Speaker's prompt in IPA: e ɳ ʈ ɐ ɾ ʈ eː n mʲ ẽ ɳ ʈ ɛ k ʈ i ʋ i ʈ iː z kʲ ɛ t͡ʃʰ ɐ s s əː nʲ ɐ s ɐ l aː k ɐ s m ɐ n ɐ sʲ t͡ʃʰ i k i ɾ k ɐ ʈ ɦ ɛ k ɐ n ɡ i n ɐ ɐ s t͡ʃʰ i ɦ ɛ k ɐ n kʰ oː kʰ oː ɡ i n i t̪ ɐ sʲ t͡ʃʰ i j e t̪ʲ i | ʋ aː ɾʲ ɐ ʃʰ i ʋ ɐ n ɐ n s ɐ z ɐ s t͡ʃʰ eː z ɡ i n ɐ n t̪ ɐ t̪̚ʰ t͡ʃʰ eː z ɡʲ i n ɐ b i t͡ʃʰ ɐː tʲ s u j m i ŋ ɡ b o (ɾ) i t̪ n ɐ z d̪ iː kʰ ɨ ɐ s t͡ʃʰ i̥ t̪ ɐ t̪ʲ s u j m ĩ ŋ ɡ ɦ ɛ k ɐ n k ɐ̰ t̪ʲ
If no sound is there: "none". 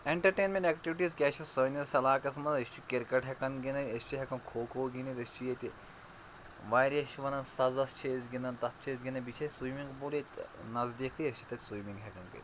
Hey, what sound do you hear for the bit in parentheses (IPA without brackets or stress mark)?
l